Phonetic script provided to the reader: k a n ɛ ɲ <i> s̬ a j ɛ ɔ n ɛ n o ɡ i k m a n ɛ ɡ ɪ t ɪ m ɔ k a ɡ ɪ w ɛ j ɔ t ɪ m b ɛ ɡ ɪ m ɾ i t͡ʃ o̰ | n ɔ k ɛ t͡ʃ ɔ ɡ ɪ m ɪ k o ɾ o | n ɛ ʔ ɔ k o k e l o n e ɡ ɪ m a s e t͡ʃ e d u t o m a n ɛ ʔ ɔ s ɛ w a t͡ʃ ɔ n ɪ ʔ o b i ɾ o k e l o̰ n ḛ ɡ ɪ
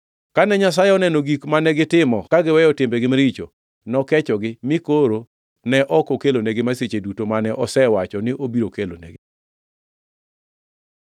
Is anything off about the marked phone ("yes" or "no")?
yes